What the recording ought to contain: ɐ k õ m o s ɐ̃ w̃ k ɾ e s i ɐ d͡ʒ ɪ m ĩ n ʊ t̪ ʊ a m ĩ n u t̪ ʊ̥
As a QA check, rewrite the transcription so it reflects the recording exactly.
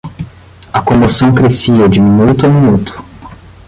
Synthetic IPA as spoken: ɐ k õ m o s ɐ̃ w̃ k ɾ e s i ɐ d͡ʒ ɪ m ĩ n u t̪ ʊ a m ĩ n u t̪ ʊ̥